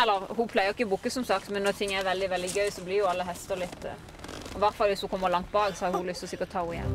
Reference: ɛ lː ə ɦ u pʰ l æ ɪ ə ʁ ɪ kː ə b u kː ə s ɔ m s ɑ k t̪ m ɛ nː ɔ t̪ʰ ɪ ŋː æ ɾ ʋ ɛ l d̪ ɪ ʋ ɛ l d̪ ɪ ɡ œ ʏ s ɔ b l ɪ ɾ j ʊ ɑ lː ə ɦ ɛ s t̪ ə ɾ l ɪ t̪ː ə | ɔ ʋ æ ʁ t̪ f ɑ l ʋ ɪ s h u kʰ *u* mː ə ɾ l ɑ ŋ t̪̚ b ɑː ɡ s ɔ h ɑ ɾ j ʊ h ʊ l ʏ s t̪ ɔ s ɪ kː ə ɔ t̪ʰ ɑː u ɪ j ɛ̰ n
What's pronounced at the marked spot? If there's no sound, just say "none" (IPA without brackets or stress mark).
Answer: ɔ